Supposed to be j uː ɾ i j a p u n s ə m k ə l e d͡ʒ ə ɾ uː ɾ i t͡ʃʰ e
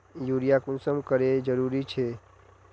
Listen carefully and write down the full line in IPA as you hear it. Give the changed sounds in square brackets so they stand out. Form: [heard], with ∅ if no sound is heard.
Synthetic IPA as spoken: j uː ɾ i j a [k] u n s ə m k ə [ɾ] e d͡ʒ ə ɾ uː ɾ i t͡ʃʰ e